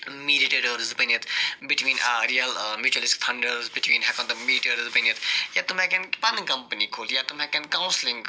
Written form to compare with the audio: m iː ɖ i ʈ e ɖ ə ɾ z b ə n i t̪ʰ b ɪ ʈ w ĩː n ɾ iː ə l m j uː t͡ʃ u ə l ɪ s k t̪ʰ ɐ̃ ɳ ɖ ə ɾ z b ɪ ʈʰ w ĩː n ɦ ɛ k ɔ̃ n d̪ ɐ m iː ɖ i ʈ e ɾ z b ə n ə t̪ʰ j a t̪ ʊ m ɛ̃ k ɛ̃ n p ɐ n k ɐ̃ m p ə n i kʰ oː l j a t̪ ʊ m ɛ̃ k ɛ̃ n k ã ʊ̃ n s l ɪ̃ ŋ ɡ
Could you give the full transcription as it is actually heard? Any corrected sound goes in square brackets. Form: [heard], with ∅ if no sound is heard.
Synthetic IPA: m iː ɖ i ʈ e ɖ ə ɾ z b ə n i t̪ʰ b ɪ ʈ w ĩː n ɾ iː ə l m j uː t͡ʃ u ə l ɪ s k t̪ʰ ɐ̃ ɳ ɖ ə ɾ z b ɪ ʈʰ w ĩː n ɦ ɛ k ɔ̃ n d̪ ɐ m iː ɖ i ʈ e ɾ z b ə n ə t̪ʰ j a t̪ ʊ m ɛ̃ k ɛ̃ n p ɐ n k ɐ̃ m p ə n i kʰ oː l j a t̪ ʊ m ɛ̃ k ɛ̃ n k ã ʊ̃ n s l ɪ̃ ŋ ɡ